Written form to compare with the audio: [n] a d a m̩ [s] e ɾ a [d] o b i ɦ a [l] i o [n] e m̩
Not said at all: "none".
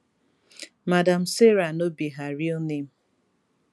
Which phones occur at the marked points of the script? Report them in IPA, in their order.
m, s, n, ɾ, n

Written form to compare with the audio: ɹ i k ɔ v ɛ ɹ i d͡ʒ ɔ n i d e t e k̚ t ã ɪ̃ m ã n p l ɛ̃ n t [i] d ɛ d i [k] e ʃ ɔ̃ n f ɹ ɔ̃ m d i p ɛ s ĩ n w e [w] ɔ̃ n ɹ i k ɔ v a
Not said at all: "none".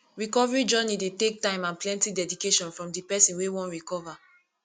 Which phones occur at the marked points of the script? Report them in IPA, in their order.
i, k, w

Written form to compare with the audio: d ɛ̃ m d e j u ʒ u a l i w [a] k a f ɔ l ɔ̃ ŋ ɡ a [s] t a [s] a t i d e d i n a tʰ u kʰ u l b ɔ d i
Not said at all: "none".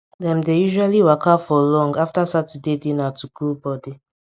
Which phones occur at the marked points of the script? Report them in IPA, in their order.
a, f, s

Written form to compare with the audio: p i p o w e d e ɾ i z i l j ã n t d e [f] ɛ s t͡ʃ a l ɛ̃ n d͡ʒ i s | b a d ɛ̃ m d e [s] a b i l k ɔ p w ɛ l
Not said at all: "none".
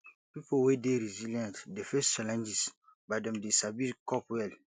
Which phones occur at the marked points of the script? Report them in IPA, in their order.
f, s

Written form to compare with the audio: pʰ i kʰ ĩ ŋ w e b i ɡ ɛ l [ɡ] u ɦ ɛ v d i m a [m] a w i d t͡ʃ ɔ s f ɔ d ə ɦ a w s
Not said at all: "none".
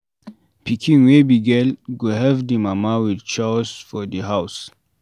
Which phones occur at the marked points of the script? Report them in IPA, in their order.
ɡ, m

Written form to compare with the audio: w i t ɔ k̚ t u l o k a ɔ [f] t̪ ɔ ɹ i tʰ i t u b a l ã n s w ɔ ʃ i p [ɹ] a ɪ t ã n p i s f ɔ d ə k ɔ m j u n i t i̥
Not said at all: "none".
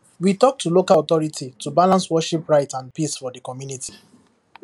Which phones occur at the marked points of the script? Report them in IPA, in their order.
none, ɹ

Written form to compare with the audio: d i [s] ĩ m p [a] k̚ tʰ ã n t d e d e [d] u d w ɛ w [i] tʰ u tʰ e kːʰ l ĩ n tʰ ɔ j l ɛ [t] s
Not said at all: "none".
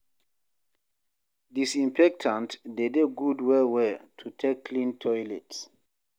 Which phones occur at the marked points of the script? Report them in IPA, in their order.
s, ɛ, ɡ, ɛ, t

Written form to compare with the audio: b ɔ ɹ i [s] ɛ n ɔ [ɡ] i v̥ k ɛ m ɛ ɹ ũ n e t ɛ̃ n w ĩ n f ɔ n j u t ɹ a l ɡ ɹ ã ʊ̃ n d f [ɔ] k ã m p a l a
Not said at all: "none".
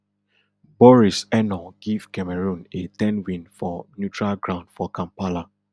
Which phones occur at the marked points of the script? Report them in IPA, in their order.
s, ɡ, ɔ

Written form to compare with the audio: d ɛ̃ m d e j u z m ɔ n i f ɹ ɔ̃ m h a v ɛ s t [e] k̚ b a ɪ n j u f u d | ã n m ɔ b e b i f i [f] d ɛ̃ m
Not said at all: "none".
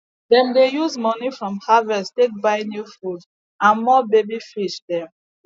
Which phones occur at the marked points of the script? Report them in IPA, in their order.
e, ʃ

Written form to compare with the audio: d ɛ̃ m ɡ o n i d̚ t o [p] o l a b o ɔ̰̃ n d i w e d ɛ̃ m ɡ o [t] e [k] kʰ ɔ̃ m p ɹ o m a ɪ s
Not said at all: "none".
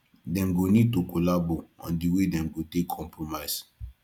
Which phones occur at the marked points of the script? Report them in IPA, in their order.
k, t, k

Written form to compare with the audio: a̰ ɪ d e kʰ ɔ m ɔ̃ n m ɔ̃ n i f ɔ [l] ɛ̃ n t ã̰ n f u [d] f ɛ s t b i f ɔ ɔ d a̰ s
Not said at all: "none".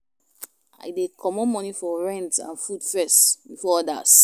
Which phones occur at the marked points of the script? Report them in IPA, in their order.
ɹ, d

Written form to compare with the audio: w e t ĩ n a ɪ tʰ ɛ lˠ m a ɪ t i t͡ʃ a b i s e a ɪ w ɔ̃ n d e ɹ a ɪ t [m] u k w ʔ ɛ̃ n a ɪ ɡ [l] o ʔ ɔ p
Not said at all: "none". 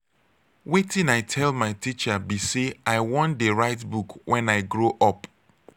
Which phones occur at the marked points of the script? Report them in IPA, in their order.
b, ɹ

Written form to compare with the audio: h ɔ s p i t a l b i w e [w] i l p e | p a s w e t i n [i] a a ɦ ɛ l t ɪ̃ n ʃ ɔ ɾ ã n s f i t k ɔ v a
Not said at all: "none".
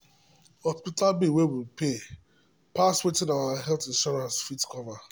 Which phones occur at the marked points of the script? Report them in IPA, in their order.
w, a

